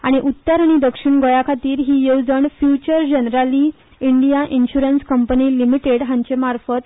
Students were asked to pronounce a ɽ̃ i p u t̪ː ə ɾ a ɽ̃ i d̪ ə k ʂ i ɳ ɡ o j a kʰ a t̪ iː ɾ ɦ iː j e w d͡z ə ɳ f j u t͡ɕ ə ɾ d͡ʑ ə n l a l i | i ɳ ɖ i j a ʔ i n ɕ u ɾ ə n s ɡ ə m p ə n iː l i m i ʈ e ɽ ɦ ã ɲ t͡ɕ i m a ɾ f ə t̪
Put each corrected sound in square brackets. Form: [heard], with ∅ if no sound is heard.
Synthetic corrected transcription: a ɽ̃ i [ʔ] u t̪ː ə ɾ a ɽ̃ i d̪ ə k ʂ i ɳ ɡ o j a kʰ a t̪ iː ɾ ɦ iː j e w d͡z ə ɳ f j u t͡ɕ ə ɾ d͡ʑ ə n [ɾ] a l i | i ɳ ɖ i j a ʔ i n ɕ u ɾ ə n s [k] ə m p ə n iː l i m i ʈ e ɽ ɦ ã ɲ t͡ɕ [e] m a ɾ f ə t̪

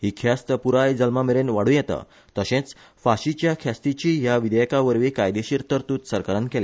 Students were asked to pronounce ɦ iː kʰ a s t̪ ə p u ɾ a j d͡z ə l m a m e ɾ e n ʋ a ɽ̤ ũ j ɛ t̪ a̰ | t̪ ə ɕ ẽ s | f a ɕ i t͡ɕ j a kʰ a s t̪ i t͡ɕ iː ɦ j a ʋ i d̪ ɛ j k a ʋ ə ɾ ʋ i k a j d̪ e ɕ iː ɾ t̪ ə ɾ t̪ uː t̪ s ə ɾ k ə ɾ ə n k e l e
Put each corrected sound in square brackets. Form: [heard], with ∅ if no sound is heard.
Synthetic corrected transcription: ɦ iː kʰ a s t̪ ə p u ɾ a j d͡z ə l m a m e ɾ e n ʋ a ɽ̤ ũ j ɛ t̪ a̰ | t̪ ə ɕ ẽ [t͡s] | f a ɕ i t͡ɕ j a kʰ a s t̪ i t͡ɕ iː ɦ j a ʋ i d̪ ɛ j k a ʋ ə ɾ ʋ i k a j d̪ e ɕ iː ɾ t̪ ə ɾ t̪ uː t̪ s ə ɾ k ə ɾ ə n k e l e

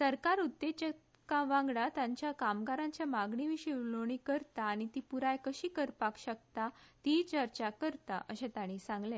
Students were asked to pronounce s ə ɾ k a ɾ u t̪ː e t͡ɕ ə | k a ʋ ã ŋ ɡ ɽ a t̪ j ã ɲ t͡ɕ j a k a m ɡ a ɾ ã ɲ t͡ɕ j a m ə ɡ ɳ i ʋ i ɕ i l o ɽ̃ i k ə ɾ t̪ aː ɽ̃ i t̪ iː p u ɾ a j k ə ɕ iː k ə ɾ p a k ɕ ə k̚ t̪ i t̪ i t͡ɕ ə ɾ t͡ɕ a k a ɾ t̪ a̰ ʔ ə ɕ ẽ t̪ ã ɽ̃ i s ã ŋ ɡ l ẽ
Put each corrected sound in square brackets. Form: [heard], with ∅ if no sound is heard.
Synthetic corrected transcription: s ə ɾ k a ɾ u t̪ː e t͡ɕ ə | k a ʋ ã ŋ ɡ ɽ a t̪ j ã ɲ t͡ɕ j a k a m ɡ a ɾ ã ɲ t͡ɕ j a m [a] ɡ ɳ i ʋ i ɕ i l o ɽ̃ i k ə ɾ t̪ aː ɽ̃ i t̪ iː p u ɾ a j k ə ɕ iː k ə ɾ p a k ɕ ə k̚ t̪ [a] t̪ i t͡ɕ ə ɾ t͡ɕ a k [ə] ɾ t̪ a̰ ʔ ə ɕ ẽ t̪ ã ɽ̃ i s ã ŋ ɡ l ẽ

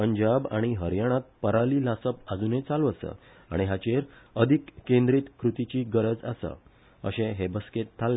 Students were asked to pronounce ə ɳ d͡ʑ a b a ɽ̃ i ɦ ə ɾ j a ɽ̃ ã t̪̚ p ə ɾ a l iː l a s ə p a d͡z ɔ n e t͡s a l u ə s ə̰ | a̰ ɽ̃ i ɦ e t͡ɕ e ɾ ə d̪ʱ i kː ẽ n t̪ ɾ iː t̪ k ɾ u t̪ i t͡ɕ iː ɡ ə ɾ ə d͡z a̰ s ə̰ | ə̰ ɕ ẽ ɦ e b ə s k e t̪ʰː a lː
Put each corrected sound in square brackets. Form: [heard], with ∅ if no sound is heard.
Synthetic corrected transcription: ə [ɲ] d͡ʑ a b a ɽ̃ i ɦ ə ɾ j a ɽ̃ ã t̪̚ p ə ɾ a l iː l a s ə p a d͡z [u] n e t͡s a l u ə s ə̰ | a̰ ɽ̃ i ɦ [a] t͡ɕ e ɾ ə d̪ʱ i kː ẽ n [d̪] ɾ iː t̪ k ɾ u t̪ i t͡ɕ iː ɡ ə ɾ ə d͡z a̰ s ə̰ | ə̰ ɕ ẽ ɦ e b ə s k e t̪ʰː a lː

